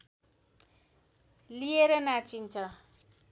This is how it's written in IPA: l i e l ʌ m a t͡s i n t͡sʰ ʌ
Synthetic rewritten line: l i e ɾ ʌ n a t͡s i n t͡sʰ ʌ